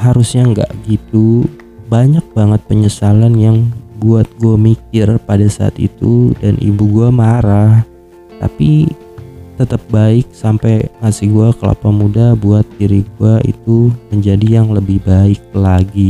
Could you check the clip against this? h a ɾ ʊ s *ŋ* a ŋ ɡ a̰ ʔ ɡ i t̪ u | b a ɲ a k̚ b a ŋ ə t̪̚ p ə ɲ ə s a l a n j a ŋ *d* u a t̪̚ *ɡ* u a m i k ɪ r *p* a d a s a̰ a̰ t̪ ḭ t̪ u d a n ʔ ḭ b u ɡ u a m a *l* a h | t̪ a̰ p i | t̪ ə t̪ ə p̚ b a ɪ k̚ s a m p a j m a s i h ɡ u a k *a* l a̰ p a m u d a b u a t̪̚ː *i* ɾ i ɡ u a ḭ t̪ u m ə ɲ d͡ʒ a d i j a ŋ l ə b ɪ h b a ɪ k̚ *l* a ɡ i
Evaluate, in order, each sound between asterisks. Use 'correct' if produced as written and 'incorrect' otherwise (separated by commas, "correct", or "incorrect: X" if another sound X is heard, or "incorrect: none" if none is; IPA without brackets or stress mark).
incorrect: ɲ, incorrect: b, correct, correct, incorrect: ɾ, incorrect: ə, correct, correct